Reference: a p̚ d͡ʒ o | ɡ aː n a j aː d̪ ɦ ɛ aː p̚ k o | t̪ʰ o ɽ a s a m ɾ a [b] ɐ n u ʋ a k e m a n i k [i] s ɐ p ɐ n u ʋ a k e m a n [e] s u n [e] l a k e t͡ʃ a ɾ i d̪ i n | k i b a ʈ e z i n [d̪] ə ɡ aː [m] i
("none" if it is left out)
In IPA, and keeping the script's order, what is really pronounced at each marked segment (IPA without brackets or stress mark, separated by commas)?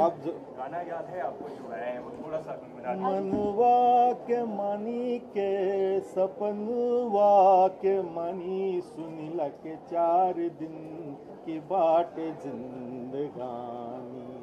m, e, i, i, d̪, n